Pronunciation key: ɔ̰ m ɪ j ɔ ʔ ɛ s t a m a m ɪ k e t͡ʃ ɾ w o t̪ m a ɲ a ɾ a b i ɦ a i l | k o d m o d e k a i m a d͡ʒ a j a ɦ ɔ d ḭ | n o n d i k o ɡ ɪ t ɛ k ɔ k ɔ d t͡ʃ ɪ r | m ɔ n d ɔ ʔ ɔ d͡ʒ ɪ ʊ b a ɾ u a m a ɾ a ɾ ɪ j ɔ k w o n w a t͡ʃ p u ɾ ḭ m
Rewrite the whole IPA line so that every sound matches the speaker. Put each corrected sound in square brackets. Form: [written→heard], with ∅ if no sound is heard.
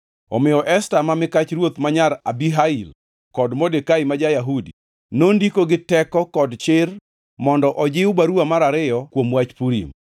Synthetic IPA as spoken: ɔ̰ m ɪ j ɔ ʔ ɛ s t a m a m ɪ k [e→a] t͡ʃ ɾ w o t̪ m a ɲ a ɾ a b i ɦ a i l | k [o→ɔ] d m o d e k a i m a d͡ʒ a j a ɦ [ɔ→u] d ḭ | n o n d i k o ɡ ɪ t ɛ k ɔ k ɔ d t͡ʃ ɪ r | m ɔ n d ɔ ʔ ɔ d͡ʒ ɪ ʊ b a ɾ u a m a ɾ a ɾ ɪ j ɔ k w o [n→m] w a t͡ʃ p u ɾ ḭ m